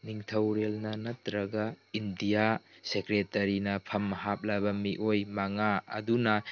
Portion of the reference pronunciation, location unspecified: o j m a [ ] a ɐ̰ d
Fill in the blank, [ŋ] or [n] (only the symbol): ŋ